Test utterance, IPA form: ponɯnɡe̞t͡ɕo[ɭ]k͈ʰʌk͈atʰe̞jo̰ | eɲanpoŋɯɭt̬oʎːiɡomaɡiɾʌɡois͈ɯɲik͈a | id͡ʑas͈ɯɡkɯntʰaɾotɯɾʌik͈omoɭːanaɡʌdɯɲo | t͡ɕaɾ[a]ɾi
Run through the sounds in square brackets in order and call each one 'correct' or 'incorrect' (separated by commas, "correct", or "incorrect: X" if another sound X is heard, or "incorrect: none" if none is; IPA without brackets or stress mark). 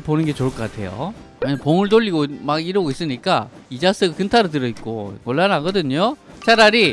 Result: correct, correct